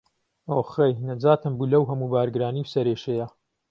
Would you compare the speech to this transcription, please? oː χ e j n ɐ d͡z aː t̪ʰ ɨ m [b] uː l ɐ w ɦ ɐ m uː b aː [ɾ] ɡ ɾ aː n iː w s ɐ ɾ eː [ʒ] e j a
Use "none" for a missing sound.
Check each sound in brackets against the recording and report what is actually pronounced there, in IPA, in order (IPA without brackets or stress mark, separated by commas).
b, ɾ, ʃ